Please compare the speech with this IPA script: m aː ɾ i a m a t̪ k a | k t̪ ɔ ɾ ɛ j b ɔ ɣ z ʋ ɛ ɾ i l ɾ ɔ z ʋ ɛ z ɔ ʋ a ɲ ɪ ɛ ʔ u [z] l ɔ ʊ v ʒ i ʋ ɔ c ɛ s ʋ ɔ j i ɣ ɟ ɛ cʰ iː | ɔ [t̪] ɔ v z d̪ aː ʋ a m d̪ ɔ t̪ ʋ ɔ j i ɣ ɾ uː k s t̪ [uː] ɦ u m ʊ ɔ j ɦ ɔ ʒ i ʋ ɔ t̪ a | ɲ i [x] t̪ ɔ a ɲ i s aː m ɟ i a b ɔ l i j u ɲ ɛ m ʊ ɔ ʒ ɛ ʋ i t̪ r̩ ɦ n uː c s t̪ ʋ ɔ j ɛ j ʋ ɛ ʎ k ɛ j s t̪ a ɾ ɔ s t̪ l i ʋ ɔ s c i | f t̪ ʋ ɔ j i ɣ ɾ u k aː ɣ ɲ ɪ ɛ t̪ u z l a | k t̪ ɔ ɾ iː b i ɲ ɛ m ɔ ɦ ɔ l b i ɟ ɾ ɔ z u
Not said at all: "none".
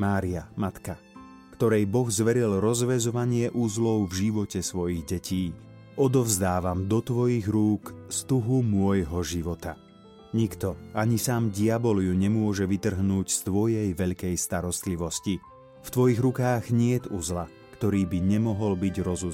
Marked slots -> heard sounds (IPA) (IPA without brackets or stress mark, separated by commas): z, d̪, u, k